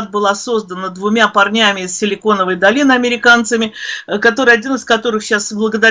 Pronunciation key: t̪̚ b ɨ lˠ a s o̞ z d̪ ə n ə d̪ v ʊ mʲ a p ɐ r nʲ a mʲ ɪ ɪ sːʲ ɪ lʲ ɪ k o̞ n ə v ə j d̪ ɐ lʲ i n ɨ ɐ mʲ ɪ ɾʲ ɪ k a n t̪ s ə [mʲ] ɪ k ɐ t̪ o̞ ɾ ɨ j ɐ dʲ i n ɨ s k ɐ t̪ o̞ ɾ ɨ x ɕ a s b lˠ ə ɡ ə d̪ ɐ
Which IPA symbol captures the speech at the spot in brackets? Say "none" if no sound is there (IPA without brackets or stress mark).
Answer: mʲ